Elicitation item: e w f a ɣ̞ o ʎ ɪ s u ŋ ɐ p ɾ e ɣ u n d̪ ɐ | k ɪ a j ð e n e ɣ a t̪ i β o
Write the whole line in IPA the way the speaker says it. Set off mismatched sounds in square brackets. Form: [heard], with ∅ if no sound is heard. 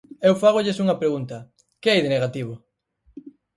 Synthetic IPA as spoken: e w f a ɣ̞ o ʎ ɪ s u ŋ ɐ p ɾ e ɣ u n [t̪] ɐ | k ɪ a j ð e n e ɣ a t̪ i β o